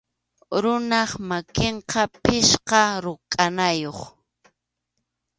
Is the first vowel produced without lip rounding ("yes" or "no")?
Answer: no